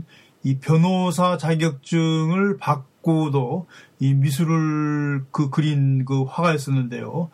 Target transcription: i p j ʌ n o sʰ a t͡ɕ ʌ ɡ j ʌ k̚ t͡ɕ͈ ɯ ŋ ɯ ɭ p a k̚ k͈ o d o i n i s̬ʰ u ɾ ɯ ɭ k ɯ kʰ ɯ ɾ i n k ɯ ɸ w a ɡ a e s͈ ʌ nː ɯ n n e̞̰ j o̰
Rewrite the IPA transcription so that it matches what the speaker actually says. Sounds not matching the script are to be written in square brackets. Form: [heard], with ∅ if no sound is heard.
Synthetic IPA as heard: i p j ʌ n o sʰ a t͡ɕ [a] ɡ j ʌ k̚ t͡ɕ͈ ɯ ŋ ɯ ɭ p a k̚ k͈ o d o i [m] i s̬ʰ u ɾ ɯ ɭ k ɯ [k] ɯ ɾ i n k ɯ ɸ w a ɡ a e s͈ ʌ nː ɯ n [d] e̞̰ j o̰